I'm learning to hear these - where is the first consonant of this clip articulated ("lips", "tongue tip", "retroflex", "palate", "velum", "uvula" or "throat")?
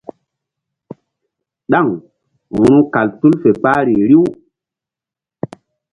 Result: tongue tip